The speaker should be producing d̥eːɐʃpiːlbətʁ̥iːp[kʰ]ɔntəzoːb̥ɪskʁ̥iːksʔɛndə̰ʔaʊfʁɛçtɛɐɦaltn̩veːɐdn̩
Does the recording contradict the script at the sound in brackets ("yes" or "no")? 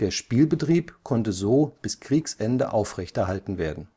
no